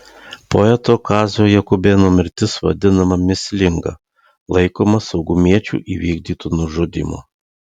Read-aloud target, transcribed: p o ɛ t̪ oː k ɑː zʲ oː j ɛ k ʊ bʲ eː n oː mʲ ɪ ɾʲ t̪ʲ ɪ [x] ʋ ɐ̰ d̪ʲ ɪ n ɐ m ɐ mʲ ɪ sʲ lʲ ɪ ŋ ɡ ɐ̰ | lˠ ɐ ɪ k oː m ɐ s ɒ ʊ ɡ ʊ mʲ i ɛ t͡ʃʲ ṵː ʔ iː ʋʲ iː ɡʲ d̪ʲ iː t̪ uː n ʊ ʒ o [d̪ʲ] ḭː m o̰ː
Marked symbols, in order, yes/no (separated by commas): no, yes